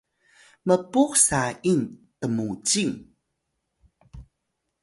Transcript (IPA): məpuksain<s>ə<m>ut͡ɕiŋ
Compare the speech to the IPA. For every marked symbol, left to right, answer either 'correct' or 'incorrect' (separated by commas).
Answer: incorrect, correct